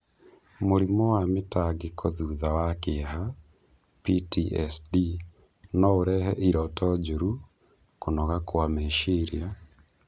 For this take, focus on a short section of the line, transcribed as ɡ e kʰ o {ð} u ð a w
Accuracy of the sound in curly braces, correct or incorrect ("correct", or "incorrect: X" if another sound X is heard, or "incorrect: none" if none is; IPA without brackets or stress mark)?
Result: correct